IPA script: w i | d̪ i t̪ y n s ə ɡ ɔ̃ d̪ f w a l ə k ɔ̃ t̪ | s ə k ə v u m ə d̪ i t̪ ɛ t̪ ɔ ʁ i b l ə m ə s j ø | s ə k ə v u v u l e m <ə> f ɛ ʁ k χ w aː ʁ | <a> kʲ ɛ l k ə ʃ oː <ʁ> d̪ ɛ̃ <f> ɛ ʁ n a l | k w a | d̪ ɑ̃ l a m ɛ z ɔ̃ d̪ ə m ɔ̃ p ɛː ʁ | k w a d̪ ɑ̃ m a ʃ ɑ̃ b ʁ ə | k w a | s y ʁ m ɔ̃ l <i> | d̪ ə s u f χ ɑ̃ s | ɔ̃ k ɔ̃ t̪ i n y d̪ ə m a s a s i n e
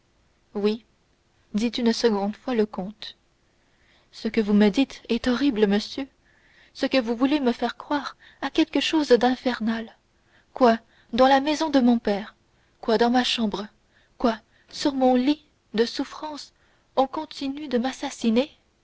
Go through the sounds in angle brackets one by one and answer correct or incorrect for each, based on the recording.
correct, correct, incorrect: z, correct, correct

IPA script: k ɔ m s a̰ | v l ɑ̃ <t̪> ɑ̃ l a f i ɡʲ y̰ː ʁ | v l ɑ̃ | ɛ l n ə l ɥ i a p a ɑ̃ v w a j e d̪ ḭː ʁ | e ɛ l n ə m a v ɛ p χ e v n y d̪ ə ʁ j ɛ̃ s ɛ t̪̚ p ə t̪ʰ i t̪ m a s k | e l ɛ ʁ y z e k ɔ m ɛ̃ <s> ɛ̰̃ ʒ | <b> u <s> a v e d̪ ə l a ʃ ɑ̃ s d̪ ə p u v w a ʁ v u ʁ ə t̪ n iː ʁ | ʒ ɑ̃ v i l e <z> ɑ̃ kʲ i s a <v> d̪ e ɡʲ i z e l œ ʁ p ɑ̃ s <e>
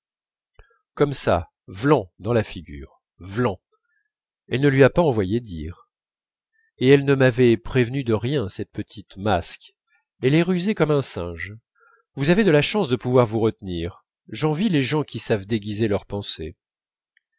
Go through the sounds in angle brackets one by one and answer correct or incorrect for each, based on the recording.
incorrect: d̪, correct, incorrect: v, incorrect: z, incorrect: ʒ, correct, correct

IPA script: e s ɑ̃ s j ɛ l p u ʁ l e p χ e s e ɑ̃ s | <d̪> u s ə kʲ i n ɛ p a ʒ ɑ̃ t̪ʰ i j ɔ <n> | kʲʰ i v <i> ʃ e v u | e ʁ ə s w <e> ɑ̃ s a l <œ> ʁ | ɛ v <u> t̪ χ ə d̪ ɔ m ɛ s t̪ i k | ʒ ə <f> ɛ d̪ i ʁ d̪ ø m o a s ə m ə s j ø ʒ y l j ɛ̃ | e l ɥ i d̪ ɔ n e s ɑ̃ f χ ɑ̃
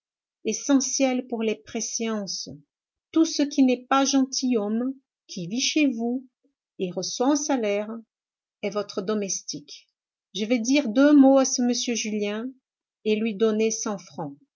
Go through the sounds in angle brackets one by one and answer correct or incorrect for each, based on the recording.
incorrect: t̪, incorrect: m, correct, incorrect: a, incorrect: ɛ, incorrect: ɔ, incorrect: v

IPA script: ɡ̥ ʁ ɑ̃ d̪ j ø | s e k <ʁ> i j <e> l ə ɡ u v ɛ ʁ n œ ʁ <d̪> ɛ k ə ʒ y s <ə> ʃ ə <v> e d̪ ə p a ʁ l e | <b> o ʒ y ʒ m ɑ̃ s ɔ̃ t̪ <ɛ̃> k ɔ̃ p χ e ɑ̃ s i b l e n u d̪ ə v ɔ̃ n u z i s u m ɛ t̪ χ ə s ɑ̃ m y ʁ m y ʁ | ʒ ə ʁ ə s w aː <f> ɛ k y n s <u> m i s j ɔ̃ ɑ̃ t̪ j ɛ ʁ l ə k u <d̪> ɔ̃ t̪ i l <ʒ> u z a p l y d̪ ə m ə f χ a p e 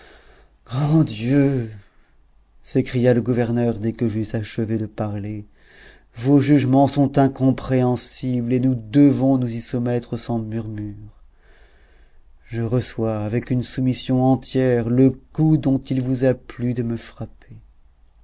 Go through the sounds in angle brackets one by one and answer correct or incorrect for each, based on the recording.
incorrect: χ, incorrect: a, correct, incorrect: a, correct, incorrect: v, correct, incorrect: v, correct, correct, incorrect: v

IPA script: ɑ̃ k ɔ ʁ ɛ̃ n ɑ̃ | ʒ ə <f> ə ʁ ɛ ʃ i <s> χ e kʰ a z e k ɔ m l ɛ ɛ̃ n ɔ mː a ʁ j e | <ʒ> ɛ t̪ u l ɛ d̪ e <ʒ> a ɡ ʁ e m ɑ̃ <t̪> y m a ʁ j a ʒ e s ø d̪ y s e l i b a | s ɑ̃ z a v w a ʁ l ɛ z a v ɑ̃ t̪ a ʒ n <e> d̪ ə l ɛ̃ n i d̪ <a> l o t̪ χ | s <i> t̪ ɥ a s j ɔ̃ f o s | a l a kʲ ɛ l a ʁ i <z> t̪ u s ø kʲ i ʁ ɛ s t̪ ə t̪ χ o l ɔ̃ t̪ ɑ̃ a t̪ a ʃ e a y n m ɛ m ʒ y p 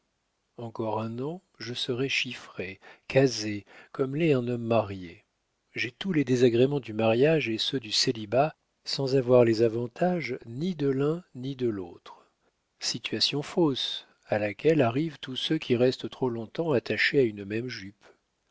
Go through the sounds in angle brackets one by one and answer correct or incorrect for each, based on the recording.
incorrect: s, incorrect: f, correct, incorrect: z, incorrect: d̪, incorrect: i, incorrect: ə, correct, incorrect: v

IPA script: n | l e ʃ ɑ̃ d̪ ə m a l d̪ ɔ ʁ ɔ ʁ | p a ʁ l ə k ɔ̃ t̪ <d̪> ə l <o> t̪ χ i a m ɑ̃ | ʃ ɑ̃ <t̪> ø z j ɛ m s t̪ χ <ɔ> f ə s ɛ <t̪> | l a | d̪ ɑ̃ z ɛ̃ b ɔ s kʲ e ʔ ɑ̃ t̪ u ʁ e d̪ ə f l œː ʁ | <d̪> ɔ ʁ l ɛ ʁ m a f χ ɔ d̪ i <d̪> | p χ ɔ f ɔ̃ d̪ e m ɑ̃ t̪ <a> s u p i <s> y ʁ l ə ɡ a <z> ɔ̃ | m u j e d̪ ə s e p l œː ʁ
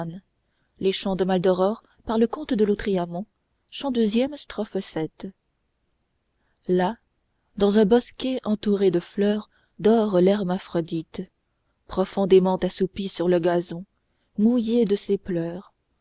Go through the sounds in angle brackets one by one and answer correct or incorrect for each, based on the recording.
correct, correct, incorrect: d̪, correct, correct, correct, incorrect: t̪, correct, correct, correct

